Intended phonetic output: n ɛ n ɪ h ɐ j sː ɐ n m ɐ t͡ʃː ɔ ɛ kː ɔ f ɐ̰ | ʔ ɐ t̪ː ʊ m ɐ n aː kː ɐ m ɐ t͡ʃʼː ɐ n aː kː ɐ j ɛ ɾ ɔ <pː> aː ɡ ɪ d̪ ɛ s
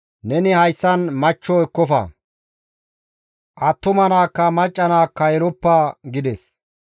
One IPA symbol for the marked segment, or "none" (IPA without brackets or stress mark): pː